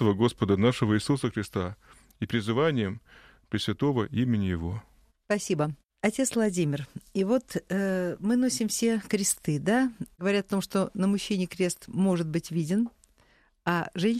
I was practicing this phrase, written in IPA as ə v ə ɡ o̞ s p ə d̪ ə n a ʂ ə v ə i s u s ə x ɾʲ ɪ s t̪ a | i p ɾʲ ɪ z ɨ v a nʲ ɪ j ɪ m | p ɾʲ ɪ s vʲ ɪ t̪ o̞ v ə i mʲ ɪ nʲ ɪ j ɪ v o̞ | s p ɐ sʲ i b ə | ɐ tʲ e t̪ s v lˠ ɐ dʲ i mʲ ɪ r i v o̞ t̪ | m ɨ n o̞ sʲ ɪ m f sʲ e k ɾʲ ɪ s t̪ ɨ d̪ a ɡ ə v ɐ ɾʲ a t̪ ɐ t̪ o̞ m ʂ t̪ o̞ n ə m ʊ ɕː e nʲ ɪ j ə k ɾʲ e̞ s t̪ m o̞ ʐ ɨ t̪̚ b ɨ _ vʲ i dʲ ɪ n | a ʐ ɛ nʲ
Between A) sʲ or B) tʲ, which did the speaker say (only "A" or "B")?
B